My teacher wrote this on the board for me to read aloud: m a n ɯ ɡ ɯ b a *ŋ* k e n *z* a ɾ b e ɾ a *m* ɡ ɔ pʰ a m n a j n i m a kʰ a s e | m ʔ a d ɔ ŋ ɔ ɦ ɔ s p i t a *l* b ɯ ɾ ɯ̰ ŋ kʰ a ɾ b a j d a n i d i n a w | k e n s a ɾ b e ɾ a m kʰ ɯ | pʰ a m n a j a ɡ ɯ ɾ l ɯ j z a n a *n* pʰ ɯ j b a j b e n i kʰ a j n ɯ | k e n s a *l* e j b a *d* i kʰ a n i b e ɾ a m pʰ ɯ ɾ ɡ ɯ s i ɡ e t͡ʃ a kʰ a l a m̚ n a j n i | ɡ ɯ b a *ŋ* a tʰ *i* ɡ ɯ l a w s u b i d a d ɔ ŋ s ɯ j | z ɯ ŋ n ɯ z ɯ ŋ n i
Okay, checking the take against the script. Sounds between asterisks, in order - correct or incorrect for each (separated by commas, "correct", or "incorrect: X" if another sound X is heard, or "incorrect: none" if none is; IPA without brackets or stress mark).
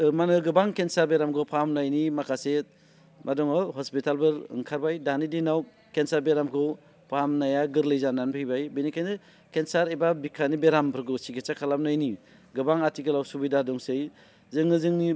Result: correct, incorrect: s, correct, correct, correct, incorrect: ɾ, incorrect: b, correct, correct